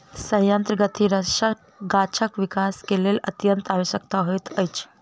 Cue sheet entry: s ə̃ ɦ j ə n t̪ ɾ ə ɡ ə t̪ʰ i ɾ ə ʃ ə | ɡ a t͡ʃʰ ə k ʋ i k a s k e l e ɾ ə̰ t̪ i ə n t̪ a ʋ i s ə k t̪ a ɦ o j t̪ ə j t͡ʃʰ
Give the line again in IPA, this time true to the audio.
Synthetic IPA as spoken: s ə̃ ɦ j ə n t̪ ɾ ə ɡ ə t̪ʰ i ɾ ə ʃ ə | ɡ a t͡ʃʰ ə k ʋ i k a s k e l e l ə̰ t̪ j ə n t̪ a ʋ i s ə k t̪ a ɦ o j t̪ ə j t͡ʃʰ

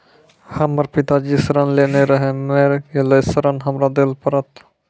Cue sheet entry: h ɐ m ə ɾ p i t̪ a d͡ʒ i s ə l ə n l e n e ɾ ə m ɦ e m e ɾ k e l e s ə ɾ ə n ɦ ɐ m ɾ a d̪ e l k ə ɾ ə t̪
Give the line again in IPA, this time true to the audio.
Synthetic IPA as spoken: h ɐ m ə ɾ p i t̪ a d͡ʒ i s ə ɾ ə n l e n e ɾ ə ɦ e m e ɾ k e l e s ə ɾ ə n ɦ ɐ m ɾ a d̪ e l p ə ɾ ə t̪

